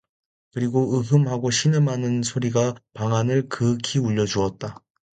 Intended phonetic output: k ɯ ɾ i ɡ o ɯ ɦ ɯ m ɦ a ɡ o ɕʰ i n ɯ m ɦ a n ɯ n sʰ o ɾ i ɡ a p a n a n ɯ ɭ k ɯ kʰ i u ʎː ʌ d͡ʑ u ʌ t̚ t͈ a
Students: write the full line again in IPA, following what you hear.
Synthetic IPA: k ɯ ɾ i ɡ o ɯ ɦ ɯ m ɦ a ɡ o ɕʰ i n ɯ m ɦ a n ɯ n sʰ o ɾ i ɡ a p a ŋ a n ɯ ɭ k ɯ kʰ i u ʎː ʌ d͡ʑ u ʌ t̚ t͈ a